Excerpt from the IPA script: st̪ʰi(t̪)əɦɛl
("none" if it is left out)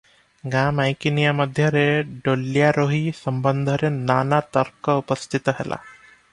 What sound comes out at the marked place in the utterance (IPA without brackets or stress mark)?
t̪